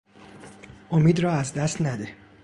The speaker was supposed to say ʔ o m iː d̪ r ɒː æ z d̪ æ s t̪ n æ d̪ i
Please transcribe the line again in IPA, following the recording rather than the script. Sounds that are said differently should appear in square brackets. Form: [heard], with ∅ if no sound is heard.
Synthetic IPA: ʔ o m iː d̪ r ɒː æ z d̪ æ s t̪ n æ d̪ [e]